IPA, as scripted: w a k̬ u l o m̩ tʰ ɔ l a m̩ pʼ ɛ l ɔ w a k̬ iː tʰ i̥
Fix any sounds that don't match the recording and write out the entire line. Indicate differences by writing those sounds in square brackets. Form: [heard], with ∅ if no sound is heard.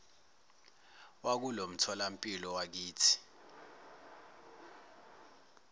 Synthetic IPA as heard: w a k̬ u l o m̩ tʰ ɔ l a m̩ pʼ [i] l ɔ w a k̬ iː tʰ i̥